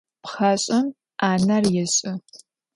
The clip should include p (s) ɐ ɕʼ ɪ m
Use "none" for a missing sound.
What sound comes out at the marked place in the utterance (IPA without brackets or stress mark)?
χ